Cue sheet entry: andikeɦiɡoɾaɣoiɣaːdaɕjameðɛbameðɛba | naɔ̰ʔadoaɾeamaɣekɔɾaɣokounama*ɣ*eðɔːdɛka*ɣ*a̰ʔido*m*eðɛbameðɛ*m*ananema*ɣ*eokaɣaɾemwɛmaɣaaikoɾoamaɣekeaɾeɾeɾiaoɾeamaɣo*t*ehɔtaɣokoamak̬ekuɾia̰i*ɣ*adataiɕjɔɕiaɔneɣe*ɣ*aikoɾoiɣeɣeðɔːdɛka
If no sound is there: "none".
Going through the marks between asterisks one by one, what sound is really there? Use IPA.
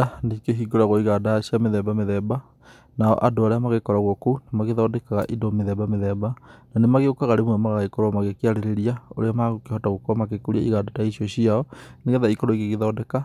ɣ, ɣ, m, b, ɣ, k, ɣ, ð

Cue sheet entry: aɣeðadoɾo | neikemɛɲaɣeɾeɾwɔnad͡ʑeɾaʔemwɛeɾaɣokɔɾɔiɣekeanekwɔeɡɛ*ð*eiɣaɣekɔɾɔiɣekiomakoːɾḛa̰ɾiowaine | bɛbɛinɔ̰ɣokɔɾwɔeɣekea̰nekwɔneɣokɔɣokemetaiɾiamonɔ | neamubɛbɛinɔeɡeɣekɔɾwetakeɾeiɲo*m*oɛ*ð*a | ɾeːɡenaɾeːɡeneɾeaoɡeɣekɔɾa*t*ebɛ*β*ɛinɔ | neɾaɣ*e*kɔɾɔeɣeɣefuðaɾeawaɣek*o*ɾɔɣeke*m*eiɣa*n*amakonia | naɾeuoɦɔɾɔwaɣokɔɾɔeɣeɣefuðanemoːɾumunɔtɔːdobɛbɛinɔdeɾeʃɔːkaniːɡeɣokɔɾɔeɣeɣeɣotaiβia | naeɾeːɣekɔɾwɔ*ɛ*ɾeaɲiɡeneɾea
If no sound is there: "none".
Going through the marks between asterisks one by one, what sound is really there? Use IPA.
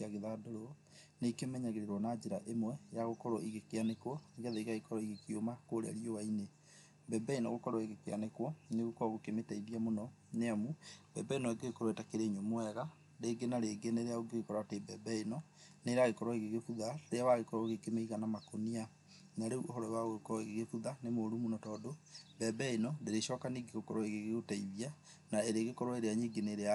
ð, m, ɣ, t, b, e, ɔ, m, n, e

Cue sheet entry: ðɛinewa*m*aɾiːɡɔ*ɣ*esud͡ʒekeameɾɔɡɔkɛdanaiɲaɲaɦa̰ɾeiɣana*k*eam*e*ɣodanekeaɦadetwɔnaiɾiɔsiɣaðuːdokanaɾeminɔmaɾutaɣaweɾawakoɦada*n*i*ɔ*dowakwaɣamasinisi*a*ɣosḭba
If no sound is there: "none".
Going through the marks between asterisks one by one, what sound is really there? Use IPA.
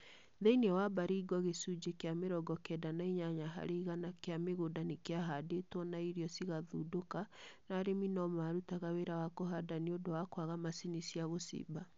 b, ɣ, k, e, n, o, a

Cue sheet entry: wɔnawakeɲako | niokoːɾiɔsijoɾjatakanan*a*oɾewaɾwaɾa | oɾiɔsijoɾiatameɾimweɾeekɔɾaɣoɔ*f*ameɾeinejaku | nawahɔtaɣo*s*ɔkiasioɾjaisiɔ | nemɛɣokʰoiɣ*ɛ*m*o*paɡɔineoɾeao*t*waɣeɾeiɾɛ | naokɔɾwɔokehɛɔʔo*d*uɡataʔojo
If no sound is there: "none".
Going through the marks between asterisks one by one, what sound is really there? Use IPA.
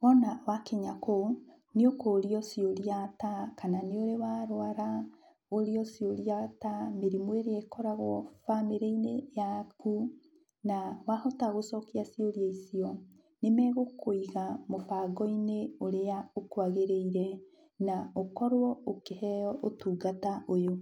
e, f, s, a, o, k, t

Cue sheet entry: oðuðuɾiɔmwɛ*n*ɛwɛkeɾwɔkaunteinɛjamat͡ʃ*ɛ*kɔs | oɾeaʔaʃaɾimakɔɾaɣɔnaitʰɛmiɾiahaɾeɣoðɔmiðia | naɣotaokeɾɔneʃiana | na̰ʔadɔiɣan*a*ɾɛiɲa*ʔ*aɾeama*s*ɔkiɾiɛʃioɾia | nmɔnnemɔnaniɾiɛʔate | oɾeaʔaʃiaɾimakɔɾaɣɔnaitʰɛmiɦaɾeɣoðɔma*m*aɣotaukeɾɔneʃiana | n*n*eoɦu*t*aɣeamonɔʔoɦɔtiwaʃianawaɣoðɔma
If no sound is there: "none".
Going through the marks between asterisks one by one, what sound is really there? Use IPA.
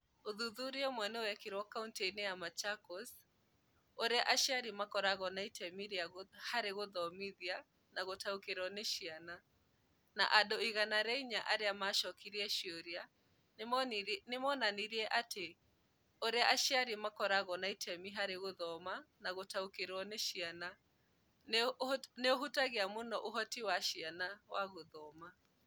n, a, a, ʔ, ʃ, n, n, t

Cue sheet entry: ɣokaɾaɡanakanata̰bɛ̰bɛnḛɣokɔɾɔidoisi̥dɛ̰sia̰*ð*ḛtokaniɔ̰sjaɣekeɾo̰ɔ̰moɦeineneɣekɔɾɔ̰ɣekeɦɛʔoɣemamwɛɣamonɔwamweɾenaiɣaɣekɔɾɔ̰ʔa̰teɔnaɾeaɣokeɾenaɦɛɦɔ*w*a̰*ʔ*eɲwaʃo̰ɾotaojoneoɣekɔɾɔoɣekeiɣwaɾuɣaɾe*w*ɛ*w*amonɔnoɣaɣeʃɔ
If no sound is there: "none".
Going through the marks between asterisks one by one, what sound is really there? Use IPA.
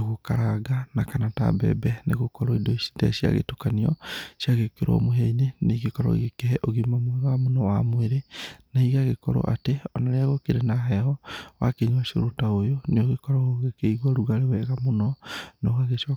ɣ, w, k, w, ɣ

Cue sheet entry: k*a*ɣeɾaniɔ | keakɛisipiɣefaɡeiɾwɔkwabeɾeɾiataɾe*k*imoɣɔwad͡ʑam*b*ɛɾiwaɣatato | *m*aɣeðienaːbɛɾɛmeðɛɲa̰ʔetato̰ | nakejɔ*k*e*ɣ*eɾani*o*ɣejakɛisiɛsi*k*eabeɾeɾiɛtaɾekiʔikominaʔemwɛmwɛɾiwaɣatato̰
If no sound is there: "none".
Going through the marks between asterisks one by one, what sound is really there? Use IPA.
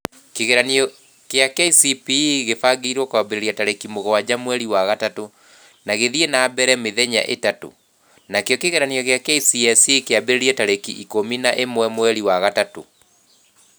e, k, w, n, k, ɣ, ɔ, k

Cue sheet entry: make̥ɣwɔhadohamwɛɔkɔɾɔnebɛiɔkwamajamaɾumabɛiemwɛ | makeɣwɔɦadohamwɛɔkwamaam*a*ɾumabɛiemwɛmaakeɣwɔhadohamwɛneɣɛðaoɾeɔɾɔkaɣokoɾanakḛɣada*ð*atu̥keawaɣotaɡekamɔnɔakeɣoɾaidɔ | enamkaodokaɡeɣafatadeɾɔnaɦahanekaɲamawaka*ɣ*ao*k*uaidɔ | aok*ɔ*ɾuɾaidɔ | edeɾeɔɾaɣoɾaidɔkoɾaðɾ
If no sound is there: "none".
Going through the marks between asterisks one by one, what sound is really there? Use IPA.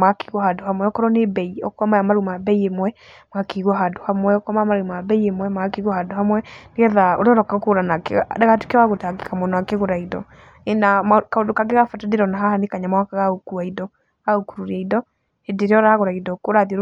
a, ɣ, ɣ, k, u

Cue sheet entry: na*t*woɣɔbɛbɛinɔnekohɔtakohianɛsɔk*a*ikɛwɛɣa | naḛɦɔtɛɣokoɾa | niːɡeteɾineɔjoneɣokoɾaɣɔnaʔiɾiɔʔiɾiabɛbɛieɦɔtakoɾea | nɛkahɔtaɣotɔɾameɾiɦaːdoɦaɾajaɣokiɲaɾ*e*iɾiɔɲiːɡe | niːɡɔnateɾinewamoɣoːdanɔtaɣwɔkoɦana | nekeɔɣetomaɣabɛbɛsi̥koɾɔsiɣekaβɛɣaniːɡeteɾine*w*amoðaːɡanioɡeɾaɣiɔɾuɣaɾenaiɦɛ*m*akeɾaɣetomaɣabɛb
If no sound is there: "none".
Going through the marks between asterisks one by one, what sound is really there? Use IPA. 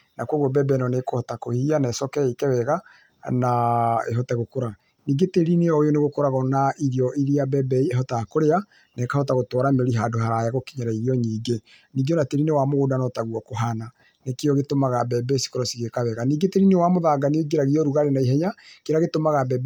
k, ɛ, a, w, ɲ

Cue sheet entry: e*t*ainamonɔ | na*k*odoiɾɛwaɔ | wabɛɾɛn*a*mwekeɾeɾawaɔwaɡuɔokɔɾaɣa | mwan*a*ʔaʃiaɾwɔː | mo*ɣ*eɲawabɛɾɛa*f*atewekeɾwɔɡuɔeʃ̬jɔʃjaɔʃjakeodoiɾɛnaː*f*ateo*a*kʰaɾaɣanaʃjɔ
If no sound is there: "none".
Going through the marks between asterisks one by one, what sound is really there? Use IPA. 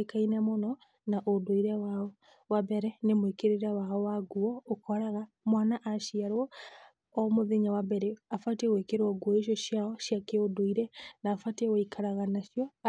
k, ʔ, e, a, ð, f, f, i

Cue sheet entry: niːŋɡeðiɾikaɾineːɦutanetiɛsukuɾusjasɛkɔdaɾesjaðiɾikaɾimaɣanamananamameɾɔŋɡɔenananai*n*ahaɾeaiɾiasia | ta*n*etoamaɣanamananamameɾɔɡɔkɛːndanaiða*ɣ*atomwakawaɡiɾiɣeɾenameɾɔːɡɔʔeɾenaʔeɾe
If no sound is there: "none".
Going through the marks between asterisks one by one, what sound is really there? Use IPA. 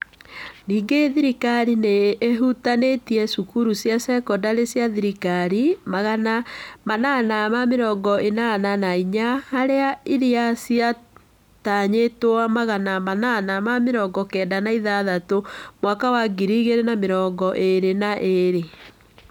ɲ, ɲ, ð

